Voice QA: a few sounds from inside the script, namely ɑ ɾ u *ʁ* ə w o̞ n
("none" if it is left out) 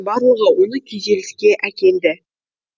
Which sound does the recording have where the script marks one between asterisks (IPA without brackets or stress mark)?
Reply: ʁ